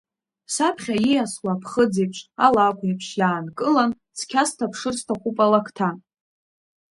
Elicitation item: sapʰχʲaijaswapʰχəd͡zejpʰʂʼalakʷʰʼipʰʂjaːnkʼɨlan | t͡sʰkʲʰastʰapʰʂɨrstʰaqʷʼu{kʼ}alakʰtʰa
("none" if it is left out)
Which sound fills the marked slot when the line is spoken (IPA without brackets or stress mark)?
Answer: pʼ